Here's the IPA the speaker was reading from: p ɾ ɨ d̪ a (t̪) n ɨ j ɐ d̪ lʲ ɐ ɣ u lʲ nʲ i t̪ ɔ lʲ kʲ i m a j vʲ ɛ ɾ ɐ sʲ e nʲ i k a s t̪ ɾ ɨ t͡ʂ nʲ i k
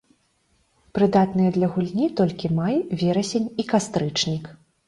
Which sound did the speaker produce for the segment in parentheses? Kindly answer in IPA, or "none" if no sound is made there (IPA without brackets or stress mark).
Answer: t̪